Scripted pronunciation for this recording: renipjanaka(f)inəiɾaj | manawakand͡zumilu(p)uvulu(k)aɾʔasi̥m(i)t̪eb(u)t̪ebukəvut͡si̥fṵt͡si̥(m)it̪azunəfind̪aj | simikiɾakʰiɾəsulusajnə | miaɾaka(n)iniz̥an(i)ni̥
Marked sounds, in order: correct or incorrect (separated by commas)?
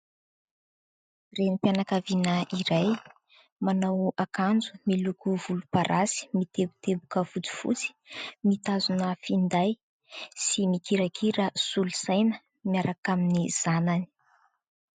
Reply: incorrect, incorrect, incorrect, correct, correct, correct, incorrect, incorrect